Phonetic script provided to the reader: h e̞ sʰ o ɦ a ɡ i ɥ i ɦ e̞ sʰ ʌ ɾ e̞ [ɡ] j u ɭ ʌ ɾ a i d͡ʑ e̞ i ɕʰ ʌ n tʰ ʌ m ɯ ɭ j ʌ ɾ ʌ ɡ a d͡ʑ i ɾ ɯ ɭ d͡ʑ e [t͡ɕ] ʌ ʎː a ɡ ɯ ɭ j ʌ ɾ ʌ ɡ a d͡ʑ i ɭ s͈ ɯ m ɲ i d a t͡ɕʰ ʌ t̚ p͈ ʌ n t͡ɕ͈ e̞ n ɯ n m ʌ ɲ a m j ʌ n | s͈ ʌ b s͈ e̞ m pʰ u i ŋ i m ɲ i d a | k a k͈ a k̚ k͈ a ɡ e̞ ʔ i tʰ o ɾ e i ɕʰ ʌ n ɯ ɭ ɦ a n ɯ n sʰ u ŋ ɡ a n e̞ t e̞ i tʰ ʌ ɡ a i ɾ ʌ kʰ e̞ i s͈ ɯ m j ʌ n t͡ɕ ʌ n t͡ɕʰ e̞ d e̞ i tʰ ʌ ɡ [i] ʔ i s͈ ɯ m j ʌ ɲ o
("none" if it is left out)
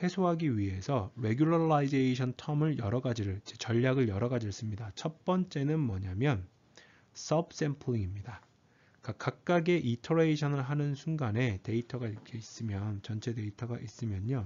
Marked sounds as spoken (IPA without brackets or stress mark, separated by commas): ɡ, t͡ɕ, a